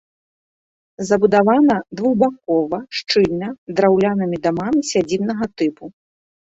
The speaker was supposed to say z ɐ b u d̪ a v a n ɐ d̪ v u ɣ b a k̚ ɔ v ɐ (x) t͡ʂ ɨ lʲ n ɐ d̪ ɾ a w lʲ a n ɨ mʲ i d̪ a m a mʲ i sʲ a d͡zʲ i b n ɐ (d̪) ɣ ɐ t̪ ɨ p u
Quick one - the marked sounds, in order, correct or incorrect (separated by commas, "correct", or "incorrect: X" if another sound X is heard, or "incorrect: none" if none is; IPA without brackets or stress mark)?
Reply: incorrect: ʂ, incorrect: none